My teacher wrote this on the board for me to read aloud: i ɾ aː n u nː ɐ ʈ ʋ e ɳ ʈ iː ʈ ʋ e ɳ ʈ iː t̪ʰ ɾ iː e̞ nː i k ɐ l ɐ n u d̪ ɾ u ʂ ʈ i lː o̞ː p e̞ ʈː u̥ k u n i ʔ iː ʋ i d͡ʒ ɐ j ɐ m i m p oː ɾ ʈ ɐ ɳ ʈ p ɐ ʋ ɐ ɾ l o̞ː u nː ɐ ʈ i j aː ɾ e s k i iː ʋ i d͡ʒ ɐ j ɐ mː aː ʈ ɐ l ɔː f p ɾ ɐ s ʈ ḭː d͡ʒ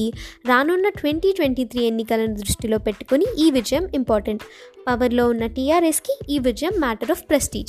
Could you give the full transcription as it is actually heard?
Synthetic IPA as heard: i ɾ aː n u nː ɐ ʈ ʋ e ɳ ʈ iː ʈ ʋ e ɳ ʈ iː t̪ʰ ɾ iː e̞ nː i k ɐ l ɐ n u d̪ ɾ u ʂ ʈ i l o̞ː p e̞ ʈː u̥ k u n i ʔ iː ʋ i d͡ʒ ɐ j ɐ m i m p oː ɾ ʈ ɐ ɳ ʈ p ɐ ʋ ɐ ɾ l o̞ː u nː ɐ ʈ i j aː ɾ e s k i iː ʋ i d͡ʒ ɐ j ɐ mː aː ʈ ɐ ɾ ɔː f p ɾ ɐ s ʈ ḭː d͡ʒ